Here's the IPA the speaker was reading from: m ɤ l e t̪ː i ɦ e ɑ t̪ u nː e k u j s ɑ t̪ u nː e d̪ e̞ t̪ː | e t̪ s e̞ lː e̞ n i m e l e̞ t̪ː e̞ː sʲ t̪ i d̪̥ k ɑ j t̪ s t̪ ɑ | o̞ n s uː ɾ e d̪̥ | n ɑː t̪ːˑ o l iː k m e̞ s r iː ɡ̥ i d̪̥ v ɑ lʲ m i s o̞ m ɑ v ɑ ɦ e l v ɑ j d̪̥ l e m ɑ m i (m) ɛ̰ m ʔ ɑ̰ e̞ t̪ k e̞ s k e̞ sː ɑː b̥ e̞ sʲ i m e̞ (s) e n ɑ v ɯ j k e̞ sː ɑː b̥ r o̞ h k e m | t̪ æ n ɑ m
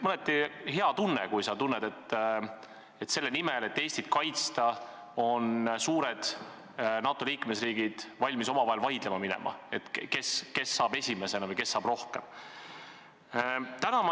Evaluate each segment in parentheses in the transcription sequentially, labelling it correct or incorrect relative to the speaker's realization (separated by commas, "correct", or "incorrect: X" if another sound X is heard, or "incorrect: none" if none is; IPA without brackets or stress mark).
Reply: incorrect: n, correct